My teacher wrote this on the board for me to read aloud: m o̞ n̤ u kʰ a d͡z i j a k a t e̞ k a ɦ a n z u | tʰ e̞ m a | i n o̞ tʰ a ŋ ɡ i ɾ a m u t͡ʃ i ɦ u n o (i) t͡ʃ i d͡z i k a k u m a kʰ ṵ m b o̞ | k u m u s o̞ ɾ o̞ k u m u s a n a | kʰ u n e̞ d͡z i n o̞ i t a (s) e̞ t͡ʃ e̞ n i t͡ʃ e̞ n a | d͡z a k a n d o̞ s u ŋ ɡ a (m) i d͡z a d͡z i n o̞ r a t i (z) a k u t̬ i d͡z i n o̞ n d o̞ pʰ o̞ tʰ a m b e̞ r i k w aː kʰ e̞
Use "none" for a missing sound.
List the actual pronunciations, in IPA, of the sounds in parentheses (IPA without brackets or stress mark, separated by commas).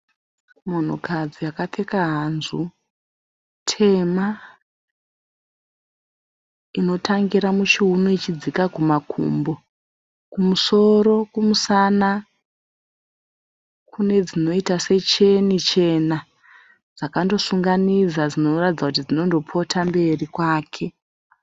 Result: i, s, n, d͡z